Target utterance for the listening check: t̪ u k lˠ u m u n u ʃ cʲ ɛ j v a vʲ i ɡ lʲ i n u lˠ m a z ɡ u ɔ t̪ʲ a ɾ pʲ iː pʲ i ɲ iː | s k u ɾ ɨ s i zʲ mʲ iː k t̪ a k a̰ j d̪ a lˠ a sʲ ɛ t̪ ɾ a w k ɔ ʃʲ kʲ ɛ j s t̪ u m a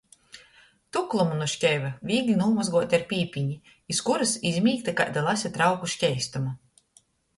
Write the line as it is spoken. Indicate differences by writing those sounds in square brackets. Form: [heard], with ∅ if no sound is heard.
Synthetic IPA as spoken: t̪ u k lˠ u m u n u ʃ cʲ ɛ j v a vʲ [iː] ɡ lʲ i n u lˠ m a z ɡ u ɔ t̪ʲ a ɾ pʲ iː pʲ i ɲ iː | s k u ɾ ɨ s i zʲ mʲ iː k t̪ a k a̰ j d̪ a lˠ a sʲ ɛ t̪ ɾ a w k [u] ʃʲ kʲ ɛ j s t̪ u m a